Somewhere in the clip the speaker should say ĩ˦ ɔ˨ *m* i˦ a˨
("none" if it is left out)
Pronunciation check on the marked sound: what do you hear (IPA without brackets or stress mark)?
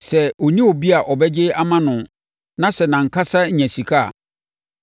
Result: b